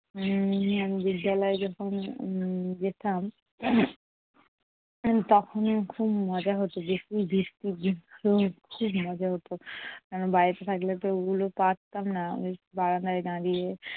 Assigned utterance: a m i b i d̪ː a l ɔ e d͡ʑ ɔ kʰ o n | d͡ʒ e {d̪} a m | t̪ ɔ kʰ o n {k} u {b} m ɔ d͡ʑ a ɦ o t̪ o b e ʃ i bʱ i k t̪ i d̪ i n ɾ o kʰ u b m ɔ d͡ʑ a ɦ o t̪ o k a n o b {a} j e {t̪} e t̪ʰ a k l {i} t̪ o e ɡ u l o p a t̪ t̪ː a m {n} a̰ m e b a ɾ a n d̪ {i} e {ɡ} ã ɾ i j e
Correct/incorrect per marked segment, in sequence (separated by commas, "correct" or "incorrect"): incorrect, incorrect, correct, correct, correct, incorrect, correct, incorrect, correct